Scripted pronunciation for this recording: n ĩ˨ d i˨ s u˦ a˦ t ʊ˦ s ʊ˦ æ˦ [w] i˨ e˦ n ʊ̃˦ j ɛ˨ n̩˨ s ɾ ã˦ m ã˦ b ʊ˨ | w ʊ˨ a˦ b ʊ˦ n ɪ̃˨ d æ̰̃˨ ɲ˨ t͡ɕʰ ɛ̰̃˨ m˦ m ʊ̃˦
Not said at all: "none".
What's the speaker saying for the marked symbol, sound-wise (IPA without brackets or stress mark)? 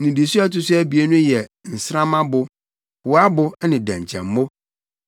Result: b